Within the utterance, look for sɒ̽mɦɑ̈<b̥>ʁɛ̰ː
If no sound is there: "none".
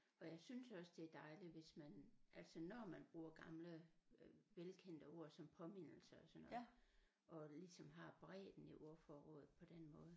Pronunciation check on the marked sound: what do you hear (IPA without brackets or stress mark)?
b̥